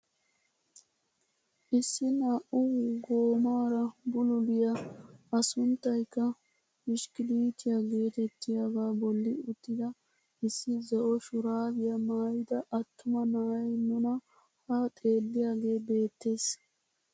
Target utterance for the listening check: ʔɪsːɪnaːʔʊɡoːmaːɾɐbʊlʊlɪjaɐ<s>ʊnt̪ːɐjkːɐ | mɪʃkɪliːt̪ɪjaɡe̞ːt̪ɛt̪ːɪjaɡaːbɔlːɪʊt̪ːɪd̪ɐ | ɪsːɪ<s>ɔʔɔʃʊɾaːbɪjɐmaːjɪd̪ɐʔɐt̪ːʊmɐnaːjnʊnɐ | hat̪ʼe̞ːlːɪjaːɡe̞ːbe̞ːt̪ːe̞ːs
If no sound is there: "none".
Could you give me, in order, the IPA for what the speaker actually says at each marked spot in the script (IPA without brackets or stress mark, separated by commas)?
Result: s, z